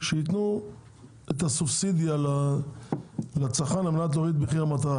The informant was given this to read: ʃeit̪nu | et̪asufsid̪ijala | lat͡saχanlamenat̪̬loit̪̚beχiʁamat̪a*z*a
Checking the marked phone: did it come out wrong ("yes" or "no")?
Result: yes